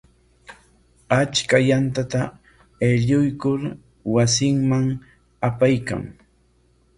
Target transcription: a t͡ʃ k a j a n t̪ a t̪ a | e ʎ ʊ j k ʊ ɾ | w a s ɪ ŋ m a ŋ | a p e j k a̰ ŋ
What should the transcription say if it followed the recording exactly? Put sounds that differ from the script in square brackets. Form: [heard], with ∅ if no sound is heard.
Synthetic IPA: a t͡ʃ k a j a n t̪ a t̪ a | e ʎ ʊ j k ʊ ɾ | w a s ɪ ŋ m a ŋ | a p [a] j k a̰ ŋ